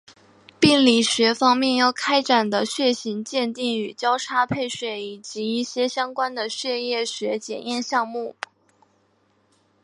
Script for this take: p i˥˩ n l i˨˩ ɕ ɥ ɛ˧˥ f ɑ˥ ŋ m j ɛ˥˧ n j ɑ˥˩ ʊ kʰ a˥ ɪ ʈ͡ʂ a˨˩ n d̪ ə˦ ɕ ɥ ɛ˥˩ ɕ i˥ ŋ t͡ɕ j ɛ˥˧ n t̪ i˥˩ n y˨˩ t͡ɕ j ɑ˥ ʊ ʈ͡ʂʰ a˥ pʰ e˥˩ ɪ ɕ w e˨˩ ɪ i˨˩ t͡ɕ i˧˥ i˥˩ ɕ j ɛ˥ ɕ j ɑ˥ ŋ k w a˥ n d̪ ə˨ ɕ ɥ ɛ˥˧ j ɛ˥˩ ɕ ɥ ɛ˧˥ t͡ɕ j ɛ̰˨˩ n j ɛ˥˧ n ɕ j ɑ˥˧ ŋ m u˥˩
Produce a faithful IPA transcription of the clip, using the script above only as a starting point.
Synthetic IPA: p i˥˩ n l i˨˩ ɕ ɥ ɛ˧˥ f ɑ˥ ŋ m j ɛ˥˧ n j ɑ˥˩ ʊ kʰ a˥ ɪ ʈ͡ʂ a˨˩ n d̪ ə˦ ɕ ɥ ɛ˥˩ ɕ i˧˥ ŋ t͡ɕ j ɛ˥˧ n t̪ i˥˩ ŋ y˨˩ t͡ɕ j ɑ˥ ʊ ʈ͡ʂʰ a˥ pʰ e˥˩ ɪ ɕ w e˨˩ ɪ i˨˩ t͡ɕ i˧˥ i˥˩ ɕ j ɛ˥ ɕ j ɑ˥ ŋ k w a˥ n d̪ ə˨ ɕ ɥ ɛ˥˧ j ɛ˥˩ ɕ ɥ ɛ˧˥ t͡ɕ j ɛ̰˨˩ n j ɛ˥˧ n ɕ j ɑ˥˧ ŋ m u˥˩